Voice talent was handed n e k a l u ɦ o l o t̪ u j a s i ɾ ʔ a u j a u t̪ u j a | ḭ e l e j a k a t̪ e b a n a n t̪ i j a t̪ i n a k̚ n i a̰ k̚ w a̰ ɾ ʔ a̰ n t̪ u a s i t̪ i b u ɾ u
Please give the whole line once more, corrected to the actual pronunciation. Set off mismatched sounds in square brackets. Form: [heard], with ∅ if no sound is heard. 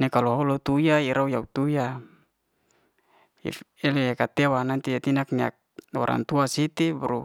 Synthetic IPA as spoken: n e k a l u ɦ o l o t̪ u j a [∅] i ɾ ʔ a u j a u t̪ u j a | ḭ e l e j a k a t̪ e [w] a n a n t̪ i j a t̪ i n a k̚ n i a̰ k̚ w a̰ ɾ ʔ a̰ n t̪ u a s i t̪ i b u ɾ u